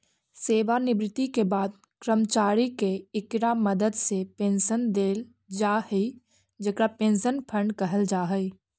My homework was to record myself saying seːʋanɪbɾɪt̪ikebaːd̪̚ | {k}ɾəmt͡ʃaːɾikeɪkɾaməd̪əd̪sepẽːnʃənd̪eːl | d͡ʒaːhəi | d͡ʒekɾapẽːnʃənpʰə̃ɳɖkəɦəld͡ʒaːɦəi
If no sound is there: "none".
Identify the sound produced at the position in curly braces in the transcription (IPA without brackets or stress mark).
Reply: k